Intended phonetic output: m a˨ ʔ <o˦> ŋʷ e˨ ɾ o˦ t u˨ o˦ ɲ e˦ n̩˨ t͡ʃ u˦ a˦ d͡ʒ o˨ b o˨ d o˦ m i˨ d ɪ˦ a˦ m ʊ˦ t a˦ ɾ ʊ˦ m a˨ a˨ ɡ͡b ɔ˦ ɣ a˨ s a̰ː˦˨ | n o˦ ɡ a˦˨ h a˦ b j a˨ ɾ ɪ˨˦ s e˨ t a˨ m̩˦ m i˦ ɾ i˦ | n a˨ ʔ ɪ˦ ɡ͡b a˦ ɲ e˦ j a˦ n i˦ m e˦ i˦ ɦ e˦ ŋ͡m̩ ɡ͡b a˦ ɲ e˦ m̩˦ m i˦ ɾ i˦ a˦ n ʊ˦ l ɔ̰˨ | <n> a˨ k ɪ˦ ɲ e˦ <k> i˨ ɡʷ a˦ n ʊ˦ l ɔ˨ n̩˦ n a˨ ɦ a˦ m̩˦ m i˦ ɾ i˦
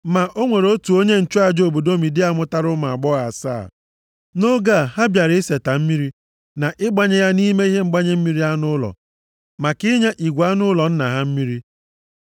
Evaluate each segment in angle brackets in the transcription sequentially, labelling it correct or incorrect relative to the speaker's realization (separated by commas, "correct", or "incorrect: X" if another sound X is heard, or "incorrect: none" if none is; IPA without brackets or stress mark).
correct, incorrect: m, incorrect: ʔ